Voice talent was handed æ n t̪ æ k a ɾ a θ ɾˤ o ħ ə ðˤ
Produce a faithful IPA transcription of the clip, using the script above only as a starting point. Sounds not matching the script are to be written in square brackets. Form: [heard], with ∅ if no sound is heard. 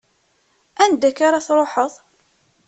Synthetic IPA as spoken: æ n [d̪] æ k a ɾ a θ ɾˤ o ħ ə ðˤ

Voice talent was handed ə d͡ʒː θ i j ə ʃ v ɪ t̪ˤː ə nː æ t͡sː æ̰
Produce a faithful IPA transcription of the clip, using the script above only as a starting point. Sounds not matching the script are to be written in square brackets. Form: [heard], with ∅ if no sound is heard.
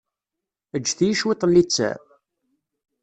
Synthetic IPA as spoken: ə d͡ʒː θ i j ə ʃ [w] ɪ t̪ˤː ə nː [i] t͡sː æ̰

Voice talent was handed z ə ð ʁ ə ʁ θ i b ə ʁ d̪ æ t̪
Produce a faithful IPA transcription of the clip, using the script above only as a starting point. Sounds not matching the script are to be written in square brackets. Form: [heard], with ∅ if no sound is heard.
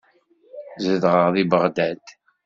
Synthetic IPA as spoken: z ə ð ʁ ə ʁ [ð] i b ə ʁ d̪ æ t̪

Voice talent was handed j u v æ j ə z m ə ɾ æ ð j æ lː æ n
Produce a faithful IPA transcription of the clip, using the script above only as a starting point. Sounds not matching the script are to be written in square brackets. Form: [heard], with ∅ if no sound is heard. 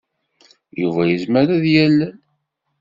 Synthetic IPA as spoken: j u v æ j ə z m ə ɾ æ ð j æ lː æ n

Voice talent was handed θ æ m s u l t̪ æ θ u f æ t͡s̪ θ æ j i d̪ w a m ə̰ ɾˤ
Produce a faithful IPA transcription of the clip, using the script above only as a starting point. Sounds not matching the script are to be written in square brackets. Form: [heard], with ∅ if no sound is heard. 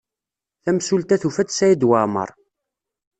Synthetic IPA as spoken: θ æ m s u l t̪ æ θ u f æ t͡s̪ [s] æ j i d̪ w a m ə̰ ɾˤ

